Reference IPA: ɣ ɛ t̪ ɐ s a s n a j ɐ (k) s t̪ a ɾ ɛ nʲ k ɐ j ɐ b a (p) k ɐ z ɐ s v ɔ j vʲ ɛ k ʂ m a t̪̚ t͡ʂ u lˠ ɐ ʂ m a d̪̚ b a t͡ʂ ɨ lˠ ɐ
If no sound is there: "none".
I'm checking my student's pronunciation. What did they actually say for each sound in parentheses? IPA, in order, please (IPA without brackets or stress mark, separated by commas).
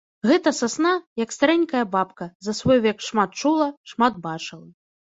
k, p